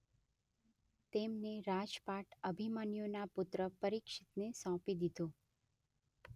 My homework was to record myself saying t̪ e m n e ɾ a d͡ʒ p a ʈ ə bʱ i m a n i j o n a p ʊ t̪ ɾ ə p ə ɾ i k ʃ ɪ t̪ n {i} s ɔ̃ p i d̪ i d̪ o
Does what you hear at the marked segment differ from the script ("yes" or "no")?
yes